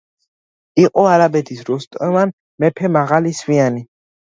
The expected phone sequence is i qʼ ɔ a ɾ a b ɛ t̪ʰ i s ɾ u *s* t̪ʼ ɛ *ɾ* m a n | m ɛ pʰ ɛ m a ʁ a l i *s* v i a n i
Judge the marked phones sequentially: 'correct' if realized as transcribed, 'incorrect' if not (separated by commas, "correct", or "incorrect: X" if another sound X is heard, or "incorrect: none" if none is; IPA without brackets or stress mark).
correct, incorrect: none, correct